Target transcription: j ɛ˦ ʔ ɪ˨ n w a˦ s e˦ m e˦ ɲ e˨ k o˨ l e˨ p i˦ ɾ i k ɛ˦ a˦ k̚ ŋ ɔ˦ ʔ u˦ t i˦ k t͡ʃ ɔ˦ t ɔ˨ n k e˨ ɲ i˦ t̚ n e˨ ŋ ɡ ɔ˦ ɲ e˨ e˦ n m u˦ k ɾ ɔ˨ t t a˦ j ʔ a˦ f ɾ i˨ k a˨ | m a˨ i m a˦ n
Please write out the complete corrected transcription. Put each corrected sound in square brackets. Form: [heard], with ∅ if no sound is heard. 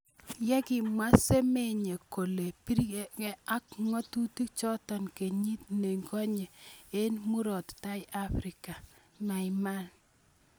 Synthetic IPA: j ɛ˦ [k] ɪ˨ [m] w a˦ s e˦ m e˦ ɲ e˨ k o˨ l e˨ p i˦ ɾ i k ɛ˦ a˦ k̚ ŋ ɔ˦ [t] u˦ t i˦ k t͡ʃ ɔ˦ t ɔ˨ n k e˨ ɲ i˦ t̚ n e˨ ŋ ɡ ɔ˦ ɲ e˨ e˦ n m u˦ [∅] ɾ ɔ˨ t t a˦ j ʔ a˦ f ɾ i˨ k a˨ | m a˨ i m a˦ n